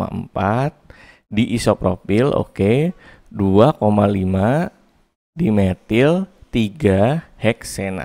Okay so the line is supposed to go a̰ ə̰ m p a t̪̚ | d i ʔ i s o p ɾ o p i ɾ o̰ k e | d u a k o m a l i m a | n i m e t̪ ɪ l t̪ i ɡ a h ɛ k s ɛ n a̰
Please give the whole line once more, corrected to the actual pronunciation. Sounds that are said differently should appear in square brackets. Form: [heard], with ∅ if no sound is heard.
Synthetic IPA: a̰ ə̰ m p a t̪̚ | d i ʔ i s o p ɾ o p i [l] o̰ k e | d u a k o m a l i m a | [d] i m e t̪ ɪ l t̪ i ɡ a h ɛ k s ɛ n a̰